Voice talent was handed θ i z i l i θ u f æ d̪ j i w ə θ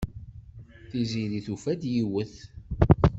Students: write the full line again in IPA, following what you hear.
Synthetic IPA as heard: θ i z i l i θ u f æ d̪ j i w ə θ